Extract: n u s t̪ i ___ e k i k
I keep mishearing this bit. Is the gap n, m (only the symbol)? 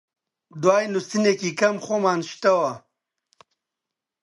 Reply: n